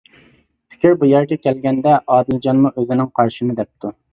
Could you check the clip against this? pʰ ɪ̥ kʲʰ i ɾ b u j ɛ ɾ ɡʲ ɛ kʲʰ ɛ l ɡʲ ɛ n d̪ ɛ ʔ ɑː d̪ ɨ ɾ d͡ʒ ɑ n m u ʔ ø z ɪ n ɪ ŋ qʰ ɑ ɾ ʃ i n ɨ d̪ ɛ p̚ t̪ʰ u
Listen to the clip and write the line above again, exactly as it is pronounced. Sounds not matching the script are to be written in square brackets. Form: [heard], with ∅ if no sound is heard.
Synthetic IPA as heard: pʰ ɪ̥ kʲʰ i ɾ b u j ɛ ɾ ɡʲ ɛ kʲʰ ɛ l ɡʲ ɛ n d̪ ɛ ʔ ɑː d̪ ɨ [l] d͡ʒ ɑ n m u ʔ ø z ɪ n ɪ ŋ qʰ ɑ ɾ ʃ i n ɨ d̪ ɛ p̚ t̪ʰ u

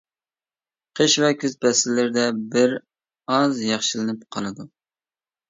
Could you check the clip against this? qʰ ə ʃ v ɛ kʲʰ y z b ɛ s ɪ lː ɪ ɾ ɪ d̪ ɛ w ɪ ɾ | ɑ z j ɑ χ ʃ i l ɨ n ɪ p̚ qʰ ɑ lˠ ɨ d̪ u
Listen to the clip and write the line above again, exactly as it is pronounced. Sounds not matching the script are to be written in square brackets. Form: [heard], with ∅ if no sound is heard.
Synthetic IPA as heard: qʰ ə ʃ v ɛ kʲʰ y z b ɛ s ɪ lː ɪ ɾ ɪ d̪ ɛ [b] ɪ ɾ | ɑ z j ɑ χ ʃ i l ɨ n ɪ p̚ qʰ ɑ lˠ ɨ d̪ u

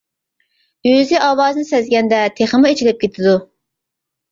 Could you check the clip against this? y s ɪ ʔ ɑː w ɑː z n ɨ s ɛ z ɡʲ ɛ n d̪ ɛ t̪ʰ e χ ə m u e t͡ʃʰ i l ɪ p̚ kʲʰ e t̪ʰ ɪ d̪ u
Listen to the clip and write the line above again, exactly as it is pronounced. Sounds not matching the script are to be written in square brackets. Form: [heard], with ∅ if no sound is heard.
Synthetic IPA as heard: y [z] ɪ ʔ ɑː w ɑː z n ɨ s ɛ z ɡʲ ɛ n d̪ ɛ t̪ʰ e χ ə m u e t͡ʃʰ i l ɪ p̚ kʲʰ e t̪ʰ ɪ d̪ u

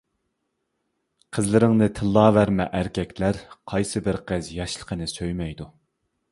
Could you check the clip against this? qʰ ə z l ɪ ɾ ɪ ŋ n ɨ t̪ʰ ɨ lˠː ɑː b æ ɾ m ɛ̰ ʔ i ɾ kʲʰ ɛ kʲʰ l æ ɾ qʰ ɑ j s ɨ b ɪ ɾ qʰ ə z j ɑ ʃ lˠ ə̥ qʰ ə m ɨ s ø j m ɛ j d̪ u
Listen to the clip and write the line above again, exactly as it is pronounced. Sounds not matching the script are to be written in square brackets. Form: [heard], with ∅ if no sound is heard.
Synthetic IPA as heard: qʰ ə z l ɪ ɾ ɪ ŋ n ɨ t̪ʰ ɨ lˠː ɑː [v] æ ɾ m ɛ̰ ʔ [æ] ɾ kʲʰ ɛ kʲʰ l æ ɾ qʰ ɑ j s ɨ b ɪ ɾ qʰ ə z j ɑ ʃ lˠ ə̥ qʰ ə [n] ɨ s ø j m ɛ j d̪ u

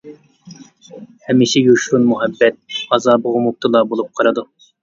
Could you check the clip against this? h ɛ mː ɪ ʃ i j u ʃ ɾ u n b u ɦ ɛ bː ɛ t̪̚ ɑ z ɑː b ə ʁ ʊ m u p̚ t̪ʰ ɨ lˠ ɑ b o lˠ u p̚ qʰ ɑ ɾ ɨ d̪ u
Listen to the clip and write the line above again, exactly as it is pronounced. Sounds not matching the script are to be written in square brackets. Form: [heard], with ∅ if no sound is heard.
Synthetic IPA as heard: h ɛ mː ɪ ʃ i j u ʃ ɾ u n [m] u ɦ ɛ bː ɛ t̪̚ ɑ z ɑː b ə ʁ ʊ m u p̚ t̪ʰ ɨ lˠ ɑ b o lˠ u p̚ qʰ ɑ ɾ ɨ d̪ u

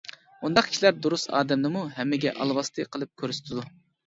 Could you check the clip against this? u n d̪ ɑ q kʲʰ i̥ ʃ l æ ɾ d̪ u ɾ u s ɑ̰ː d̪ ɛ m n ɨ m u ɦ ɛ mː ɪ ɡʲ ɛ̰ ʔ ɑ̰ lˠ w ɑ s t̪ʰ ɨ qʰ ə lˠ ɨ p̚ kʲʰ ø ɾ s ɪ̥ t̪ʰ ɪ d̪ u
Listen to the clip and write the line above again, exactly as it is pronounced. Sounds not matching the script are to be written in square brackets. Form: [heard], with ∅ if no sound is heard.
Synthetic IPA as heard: u n d̪ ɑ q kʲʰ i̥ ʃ l æ ɾ d̪ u ɾ u s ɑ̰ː d̪ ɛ m n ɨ m u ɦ ɛ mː ɪ ɡʲ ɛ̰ ʔ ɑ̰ lˠ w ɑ s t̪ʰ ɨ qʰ ə lˠ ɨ p̚ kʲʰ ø ɾ s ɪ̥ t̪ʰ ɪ d̪ u

